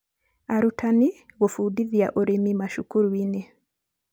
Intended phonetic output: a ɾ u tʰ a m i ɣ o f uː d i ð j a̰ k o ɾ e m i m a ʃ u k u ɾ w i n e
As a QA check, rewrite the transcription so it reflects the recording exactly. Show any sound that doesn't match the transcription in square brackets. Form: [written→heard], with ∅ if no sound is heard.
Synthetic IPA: a ɾ u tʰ a [m→n] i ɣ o f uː d i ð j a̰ [k→ʔ] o ɾ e m i m a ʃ u k u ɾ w i n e